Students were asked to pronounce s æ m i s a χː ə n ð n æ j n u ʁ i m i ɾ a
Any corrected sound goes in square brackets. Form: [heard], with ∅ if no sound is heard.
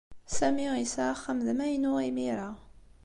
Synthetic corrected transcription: s æ m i s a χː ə [m] ð [m] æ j n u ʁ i m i ɾ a